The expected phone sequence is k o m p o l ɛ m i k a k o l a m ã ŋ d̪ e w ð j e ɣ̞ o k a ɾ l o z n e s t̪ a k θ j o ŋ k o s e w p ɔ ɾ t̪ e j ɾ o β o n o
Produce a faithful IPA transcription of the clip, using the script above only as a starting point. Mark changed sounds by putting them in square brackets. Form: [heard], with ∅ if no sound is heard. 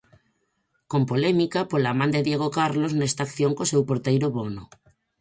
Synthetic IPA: k o m p o l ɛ m i k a [p] o l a m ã [n] d̪ e [∅] ð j e ɣ̞ o k a ɾ l o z n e s t̪ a k θ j o ŋ k o s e w p [o] ɾ t̪ e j ɾ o β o n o